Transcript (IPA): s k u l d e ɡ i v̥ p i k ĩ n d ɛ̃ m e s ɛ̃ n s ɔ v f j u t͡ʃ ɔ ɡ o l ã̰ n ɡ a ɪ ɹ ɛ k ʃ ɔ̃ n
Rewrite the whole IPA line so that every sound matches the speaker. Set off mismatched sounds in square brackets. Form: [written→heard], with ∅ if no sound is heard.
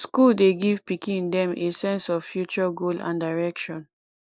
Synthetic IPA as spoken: s k u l d e ɡ i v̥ p i k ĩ n d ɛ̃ m e s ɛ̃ n s ɔ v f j u t͡ʃ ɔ ɡ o l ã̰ n [ɡ→d] a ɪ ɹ ɛ k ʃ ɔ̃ n